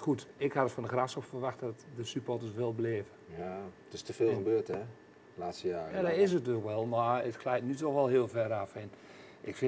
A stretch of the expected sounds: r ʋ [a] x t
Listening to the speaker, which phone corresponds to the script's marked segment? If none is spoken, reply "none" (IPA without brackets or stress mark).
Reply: a